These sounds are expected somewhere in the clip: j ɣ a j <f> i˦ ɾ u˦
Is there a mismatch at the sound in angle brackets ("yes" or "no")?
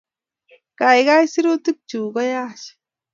yes